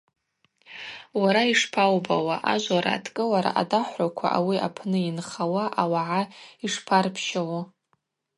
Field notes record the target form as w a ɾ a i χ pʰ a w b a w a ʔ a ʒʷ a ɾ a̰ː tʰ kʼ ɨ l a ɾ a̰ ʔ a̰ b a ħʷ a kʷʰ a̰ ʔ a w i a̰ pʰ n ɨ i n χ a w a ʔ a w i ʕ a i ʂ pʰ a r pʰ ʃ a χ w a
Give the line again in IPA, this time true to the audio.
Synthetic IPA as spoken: w a ɾ a i ʂ pʰ a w b a w a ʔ a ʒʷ a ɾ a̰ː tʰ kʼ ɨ l a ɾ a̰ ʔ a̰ d a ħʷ a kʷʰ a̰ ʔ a w i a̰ pʰ n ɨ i n χ a w a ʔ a w a ʕ a i ʂ pʰ a r pʰ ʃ a w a